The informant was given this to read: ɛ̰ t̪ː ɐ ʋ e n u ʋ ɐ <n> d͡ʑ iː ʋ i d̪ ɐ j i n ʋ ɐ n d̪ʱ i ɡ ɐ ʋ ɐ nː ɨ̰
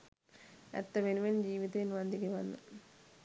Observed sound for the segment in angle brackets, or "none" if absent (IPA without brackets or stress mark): n